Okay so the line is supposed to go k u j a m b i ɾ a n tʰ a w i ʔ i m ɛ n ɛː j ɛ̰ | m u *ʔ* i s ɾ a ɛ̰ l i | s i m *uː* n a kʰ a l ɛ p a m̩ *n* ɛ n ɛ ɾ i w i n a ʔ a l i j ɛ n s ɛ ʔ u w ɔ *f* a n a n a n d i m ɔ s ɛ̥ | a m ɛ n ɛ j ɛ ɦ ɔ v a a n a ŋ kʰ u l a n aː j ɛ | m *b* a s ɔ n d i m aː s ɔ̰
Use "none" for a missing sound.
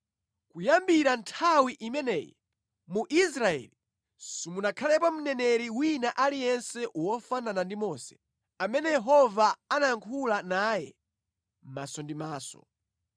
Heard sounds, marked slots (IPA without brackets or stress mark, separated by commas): ʔ, u, n, f, m